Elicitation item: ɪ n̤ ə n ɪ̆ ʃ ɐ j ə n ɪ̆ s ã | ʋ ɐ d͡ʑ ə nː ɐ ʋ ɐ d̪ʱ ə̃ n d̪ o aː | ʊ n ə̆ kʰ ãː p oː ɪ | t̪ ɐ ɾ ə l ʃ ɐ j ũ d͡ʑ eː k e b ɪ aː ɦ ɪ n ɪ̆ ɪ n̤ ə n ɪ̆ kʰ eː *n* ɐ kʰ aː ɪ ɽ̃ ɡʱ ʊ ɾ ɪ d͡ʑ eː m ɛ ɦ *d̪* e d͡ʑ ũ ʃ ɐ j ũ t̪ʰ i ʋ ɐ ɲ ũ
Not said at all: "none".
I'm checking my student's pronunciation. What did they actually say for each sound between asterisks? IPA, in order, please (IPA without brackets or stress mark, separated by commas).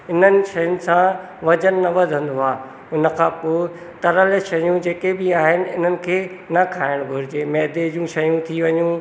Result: n, d̪